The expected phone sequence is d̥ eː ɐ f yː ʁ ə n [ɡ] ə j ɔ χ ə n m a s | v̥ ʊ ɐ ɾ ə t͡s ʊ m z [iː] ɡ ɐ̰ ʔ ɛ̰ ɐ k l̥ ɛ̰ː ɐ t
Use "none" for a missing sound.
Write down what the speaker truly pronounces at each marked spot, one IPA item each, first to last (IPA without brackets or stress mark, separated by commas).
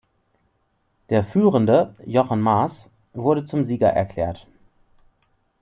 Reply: d, iː